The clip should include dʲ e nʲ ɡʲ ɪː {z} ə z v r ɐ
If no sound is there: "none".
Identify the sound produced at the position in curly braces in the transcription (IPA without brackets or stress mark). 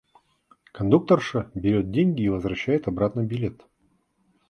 v